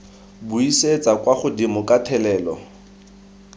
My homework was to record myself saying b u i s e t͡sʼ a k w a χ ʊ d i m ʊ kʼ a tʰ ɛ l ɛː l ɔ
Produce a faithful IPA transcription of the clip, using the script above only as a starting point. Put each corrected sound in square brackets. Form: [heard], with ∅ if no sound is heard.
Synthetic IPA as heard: b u i s e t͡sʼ a k w a χ ʊ d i m ʊ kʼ a tʰ ɛ l ɛː l ɔ